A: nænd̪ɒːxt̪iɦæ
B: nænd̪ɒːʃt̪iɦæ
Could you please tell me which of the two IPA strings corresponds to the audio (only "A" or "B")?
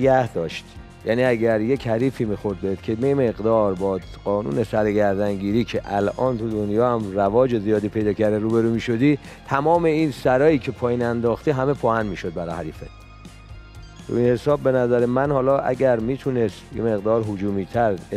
A